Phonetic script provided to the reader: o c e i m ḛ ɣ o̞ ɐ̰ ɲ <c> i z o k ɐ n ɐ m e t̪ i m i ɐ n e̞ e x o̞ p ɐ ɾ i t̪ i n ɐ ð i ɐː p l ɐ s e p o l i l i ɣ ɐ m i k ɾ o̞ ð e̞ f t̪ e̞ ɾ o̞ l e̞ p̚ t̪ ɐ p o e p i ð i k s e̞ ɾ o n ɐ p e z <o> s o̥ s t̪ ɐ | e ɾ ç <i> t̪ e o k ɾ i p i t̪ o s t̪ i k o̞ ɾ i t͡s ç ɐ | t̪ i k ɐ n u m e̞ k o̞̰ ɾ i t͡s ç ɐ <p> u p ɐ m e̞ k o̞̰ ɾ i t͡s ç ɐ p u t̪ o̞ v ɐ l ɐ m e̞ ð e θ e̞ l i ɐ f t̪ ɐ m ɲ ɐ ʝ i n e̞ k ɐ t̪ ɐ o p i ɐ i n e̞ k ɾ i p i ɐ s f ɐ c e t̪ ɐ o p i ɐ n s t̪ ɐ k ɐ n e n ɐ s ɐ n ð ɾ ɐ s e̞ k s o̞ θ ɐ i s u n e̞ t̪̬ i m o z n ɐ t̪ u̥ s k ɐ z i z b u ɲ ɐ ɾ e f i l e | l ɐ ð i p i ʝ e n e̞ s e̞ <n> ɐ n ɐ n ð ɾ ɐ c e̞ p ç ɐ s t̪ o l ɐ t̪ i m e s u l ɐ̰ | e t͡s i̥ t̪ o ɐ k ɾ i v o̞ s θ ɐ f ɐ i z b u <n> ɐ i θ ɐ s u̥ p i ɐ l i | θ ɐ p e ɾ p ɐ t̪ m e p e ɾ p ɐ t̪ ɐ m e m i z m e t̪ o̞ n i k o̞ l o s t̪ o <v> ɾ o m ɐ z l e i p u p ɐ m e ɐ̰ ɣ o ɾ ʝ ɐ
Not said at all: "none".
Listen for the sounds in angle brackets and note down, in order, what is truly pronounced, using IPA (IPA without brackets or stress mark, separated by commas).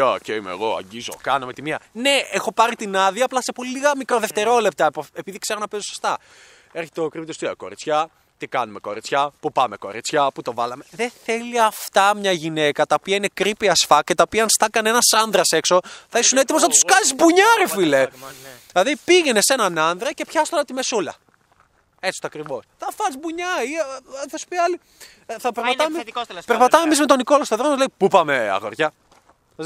ɟ, o, e, p, n, ɲ, ð